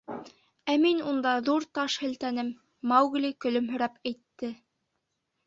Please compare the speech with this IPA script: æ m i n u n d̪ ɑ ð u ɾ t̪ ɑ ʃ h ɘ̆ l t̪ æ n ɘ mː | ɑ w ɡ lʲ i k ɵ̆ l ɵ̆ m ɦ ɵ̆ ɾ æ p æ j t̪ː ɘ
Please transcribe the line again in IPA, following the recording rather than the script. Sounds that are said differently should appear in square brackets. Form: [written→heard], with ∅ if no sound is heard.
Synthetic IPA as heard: æ m i n u n d̪ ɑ ð u ɾ t̪ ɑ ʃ h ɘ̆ l t̪ æ n ɘ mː | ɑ w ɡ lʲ i k ɵ̆ l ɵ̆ m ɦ ɵ̆ ɾ æ p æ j t̪ː ɘ